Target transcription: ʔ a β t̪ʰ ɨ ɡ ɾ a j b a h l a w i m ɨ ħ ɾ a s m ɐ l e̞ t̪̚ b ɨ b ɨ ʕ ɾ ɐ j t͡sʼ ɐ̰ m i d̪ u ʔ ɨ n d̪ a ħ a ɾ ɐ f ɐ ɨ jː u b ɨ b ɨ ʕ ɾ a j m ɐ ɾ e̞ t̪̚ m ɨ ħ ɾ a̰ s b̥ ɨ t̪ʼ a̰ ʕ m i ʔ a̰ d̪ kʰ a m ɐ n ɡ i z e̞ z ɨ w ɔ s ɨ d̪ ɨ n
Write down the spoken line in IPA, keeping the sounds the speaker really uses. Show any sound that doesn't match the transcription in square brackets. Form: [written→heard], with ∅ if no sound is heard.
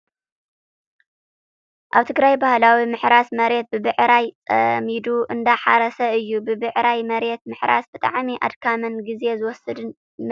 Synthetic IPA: ʔ a β t̪ʰ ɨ ɡ ɾ a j b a h l a w i m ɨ ħ ɾ a s m ɐ [l→ɾ] e̞ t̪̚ b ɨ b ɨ ʕ ɾ [ɐ→a] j t͡sʼ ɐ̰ m i d̪ u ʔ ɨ n d̪ a ħ a ɾ ɐ [f→s] ɐ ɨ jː u b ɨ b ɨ ʕ ɾ a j m ɐ ɾ e̞ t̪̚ m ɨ ħ ɾ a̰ s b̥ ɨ t̪ʼ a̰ ʕ m i ʔ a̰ d̪ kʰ a m ɐ n ɡ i z e̞ z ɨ w ɔ s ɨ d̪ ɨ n